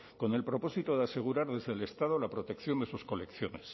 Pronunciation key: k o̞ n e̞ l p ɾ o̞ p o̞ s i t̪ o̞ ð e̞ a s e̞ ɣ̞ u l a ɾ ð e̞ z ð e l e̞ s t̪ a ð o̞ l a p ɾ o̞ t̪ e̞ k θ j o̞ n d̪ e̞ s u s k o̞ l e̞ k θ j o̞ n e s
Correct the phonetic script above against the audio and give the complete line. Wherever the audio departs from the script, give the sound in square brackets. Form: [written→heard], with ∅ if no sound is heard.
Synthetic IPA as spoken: k o̞ n e̞ l p ɾ o̞ p o̞ s i t̪ o̞ ð e̞ a s e̞ ɣ̞ u [l→ɾ] a ɾ ð e̞ z ð e l e̞ s t̪ a ð o̞ l a p ɾ o̞ t̪ e̞ k θ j o̞ n d̪ e̞ s u s k o̞ l e̞ k θ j o̞ n e s